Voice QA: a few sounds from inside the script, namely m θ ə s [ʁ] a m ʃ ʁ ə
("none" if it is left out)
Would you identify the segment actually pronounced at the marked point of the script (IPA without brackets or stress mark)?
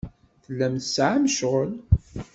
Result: ʕ